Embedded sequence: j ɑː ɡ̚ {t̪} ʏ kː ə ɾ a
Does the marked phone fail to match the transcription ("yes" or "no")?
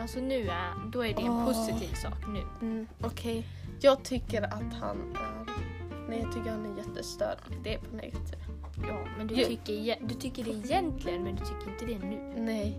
yes